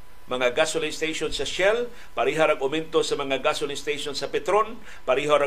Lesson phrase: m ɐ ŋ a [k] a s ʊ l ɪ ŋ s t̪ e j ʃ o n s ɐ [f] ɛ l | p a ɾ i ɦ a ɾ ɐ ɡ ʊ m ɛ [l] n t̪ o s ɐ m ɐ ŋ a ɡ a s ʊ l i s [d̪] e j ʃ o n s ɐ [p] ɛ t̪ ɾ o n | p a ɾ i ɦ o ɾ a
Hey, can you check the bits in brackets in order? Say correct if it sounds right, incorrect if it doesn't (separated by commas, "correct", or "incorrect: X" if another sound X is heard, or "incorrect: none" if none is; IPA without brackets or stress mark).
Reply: incorrect: ɡ, incorrect: ʃ, incorrect: none, incorrect: t̪, correct